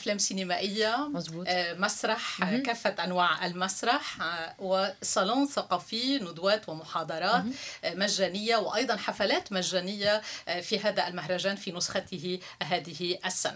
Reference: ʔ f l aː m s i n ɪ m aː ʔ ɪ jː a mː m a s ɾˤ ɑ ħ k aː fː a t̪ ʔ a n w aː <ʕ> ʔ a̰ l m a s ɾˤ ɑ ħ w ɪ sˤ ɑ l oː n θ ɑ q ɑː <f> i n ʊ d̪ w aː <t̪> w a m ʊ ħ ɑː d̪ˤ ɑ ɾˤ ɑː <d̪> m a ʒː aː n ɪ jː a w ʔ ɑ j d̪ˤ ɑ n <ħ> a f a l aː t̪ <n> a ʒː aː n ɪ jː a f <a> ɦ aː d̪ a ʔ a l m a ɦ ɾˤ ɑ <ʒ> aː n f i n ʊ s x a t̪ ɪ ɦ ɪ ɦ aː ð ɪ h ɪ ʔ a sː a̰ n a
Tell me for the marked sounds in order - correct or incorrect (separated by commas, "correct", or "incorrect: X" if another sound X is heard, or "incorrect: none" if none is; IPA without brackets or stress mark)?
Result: correct, correct, correct, incorrect: t̪, correct, incorrect: m, incorrect: i, correct